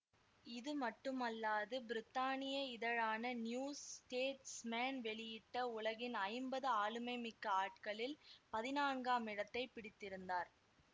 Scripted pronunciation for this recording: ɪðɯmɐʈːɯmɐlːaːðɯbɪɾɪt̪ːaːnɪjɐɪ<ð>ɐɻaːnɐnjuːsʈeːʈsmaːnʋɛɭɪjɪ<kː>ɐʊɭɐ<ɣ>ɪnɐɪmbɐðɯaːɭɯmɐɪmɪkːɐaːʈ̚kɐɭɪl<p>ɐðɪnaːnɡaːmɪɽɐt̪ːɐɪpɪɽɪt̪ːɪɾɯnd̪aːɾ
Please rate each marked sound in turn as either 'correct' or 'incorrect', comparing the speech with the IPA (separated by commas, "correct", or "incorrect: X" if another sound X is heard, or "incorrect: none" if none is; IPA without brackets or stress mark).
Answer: correct, incorrect: ʈː, correct, correct